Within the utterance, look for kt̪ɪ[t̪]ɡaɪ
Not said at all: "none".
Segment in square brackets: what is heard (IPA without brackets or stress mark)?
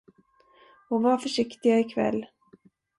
none